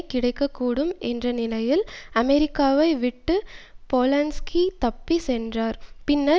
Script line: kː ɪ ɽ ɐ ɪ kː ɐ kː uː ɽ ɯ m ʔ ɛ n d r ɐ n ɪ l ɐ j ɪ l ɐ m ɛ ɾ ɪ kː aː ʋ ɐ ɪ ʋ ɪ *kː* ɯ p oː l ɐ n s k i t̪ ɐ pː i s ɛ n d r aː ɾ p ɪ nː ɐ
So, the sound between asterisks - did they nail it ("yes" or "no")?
no